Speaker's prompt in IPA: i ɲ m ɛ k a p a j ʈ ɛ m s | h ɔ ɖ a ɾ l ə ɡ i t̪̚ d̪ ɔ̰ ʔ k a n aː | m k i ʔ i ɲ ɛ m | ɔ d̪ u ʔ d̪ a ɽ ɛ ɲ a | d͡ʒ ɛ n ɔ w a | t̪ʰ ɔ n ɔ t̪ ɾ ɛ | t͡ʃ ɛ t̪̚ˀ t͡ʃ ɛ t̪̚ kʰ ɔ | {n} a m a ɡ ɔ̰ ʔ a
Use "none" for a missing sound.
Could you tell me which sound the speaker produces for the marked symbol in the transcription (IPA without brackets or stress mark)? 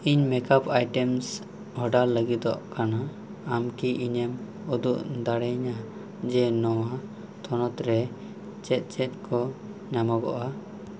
ɲ